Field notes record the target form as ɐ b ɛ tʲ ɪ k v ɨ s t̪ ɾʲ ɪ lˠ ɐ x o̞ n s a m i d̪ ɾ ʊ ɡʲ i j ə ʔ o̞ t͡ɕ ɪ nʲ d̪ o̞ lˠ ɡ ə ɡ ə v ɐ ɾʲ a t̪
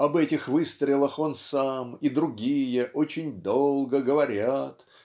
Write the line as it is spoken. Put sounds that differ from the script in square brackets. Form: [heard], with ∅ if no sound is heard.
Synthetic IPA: ɐ b ɛ tʲ ɪ [x] v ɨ s t̪ ɾʲ ɪ lˠ [ə] x o̞ n s a m i d̪ ɾ ʊ ɡʲ i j ə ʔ o̞ t͡ɕ ɪ nʲ d̪ o̞ lˠ ɡ ə ɡ ə v ɐ ɾʲ a t̪